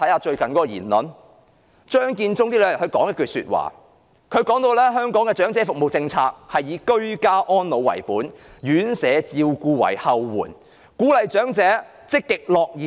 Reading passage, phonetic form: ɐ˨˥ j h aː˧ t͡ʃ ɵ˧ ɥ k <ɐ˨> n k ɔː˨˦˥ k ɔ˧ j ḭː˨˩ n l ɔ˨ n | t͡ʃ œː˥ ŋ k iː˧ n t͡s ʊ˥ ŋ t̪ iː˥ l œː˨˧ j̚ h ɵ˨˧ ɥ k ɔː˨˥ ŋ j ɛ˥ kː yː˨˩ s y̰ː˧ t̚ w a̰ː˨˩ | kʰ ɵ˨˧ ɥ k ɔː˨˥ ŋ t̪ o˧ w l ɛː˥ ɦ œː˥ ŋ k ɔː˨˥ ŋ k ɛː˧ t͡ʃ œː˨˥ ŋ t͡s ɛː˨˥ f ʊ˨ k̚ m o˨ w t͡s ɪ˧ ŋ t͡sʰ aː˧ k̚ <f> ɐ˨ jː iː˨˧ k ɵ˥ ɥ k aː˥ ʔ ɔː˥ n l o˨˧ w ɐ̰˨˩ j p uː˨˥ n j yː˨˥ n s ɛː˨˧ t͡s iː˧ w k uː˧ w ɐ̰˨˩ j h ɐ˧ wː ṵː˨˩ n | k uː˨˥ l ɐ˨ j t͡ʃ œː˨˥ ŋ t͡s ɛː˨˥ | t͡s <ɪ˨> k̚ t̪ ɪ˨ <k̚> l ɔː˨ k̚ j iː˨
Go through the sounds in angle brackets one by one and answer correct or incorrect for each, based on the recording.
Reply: correct, incorrect, incorrect, correct

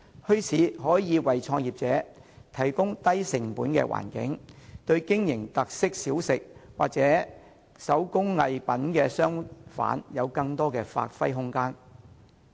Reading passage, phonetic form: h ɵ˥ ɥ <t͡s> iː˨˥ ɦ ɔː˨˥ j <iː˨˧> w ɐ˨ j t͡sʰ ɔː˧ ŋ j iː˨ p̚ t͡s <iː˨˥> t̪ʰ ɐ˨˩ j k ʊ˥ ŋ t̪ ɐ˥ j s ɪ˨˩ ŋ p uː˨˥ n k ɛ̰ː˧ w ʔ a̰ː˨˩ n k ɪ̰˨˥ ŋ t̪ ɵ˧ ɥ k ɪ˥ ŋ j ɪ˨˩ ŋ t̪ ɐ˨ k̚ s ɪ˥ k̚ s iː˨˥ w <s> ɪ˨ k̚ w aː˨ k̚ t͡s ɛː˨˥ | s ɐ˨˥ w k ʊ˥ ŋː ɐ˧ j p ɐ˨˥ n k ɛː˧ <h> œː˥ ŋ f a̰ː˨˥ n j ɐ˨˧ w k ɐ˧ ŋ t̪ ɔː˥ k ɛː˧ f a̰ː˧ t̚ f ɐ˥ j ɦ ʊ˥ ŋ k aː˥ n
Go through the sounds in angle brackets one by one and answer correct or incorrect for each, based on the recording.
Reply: incorrect, correct, incorrect, correct, incorrect

